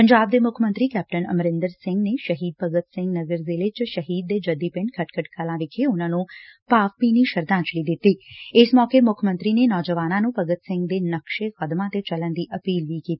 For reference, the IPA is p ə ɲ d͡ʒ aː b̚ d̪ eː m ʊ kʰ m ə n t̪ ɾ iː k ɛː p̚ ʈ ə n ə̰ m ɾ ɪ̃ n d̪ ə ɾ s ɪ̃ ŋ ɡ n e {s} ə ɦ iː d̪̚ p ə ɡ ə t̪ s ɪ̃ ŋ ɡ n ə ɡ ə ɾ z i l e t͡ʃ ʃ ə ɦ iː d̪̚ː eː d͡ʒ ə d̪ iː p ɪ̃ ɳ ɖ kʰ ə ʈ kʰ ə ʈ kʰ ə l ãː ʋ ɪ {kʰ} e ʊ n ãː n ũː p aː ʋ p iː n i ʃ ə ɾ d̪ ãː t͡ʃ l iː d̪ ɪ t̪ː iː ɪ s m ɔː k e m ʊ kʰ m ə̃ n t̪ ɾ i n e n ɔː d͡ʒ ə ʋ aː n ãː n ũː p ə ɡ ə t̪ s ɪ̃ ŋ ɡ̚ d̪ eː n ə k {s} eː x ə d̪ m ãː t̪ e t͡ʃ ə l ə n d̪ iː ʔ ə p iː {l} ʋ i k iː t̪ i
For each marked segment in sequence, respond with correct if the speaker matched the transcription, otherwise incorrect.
incorrect: ʃ, correct, incorrect: ʃ, correct

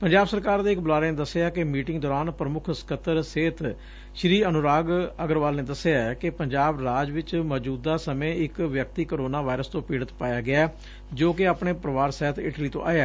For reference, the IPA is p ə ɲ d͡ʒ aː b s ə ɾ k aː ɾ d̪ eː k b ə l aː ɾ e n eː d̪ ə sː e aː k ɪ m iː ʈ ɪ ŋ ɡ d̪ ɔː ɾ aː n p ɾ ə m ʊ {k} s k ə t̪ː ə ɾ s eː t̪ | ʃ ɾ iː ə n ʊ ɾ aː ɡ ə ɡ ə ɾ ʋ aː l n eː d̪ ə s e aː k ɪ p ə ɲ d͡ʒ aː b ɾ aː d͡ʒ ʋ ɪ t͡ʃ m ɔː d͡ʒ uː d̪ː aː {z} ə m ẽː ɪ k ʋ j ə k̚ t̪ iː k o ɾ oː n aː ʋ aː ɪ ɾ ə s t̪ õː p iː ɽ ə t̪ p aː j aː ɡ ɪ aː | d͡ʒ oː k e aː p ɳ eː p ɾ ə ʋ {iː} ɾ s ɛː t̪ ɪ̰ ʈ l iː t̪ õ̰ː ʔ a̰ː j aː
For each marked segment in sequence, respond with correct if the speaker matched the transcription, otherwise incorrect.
incorrect: kʰ, incorrect: s, incorrect: aː

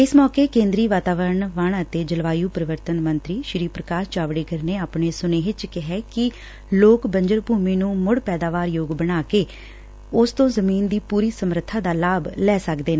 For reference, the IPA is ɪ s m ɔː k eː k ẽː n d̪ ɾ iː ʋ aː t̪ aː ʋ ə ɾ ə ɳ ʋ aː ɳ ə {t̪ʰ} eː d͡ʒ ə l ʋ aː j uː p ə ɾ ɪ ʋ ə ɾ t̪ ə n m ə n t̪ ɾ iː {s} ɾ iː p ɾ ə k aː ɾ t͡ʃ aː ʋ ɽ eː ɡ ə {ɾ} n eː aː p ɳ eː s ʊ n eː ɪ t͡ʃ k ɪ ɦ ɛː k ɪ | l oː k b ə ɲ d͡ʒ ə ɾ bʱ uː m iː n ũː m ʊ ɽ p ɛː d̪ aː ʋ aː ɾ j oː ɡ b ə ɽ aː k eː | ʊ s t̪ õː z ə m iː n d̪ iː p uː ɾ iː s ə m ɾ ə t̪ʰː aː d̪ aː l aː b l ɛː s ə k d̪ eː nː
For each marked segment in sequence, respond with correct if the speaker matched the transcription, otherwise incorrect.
incorrect: t̪, incorrect: ʃ, correct

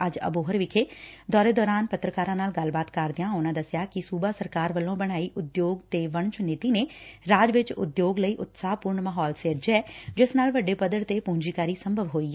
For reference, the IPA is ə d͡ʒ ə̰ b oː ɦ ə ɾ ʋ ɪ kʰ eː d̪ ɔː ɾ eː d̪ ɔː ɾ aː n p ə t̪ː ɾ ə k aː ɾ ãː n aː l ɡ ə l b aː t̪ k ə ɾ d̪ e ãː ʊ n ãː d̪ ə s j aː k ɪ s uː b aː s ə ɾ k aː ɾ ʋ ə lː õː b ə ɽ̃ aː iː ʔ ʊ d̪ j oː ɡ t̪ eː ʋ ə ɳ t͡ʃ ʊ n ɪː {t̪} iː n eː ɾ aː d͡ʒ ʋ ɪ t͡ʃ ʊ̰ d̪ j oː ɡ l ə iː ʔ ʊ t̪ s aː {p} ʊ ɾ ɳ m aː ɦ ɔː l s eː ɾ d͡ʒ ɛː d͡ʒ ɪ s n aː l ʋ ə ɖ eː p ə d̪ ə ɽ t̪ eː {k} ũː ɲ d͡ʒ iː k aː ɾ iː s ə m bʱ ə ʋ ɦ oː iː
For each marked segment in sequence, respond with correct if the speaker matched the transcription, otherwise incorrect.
correct, correct, incorrect: p

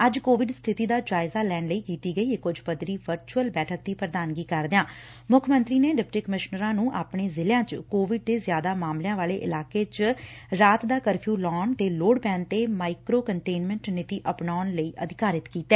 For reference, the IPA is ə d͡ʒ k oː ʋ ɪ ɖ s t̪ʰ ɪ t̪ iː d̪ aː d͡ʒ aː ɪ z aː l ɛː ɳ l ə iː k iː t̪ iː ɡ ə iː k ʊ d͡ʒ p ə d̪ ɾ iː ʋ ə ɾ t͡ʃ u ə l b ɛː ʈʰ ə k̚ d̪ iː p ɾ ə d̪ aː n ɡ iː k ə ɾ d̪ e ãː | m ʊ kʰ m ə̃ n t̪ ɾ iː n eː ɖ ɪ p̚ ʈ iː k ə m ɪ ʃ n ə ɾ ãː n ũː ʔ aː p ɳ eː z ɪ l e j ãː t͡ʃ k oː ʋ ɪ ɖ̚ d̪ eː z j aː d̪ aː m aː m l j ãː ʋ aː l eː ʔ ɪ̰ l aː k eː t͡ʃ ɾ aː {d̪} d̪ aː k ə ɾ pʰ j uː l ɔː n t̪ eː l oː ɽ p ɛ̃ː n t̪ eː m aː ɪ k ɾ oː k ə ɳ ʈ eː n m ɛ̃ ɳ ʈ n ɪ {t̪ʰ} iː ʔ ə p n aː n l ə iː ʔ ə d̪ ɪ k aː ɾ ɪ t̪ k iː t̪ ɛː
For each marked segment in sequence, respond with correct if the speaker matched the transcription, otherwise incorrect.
incorrect: t̪, incorrect: t̪

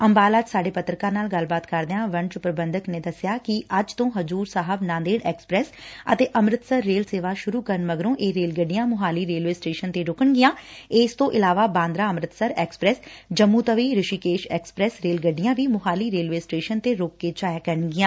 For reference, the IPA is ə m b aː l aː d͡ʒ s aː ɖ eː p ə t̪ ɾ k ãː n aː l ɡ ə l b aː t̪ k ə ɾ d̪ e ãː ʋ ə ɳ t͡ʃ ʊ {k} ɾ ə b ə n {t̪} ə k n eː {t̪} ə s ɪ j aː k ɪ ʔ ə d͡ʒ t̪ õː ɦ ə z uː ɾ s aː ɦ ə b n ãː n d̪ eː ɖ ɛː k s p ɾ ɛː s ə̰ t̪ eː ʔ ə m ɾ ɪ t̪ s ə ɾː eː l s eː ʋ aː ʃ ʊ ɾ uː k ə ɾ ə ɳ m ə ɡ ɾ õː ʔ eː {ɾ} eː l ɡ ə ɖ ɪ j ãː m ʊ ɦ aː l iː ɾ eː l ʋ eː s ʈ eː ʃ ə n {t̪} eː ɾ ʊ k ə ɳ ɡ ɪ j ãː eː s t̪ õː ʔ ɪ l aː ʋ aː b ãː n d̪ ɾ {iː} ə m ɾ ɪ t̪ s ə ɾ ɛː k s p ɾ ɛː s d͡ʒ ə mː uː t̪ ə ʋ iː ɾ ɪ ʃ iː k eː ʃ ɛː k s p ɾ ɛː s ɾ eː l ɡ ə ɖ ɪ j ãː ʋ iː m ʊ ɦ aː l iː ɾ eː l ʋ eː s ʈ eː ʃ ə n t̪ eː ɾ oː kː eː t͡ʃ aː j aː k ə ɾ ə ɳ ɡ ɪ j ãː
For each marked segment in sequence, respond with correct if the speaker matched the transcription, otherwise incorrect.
incorrect: p, incorrect: d̪, incorrect: d̪, correct, correct, incorrect: aː

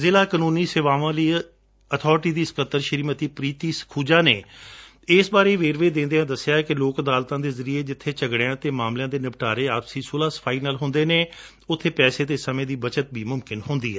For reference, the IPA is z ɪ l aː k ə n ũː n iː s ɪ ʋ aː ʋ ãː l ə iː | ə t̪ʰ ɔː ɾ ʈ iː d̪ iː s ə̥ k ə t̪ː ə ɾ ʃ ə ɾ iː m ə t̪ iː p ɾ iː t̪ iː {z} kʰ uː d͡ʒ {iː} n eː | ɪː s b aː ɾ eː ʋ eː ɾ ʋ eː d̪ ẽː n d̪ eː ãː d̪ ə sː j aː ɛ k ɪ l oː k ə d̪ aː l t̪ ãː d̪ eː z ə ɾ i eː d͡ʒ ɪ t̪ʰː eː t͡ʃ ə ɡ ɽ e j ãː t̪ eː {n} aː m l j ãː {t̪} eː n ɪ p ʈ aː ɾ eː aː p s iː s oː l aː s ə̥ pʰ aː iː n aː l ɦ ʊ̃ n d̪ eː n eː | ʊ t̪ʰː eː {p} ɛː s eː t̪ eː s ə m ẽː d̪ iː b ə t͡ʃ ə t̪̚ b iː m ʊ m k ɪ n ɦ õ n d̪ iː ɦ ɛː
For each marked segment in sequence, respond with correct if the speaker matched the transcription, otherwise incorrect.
incorrect: s, incorrect: aː, incorrect: m, incorrect: d̪, correct

